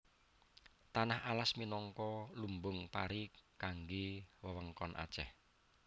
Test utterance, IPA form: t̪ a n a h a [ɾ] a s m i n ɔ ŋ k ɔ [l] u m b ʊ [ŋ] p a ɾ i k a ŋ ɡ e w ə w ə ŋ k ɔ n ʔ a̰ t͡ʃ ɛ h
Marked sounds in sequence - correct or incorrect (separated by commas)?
incorrect, correct, correct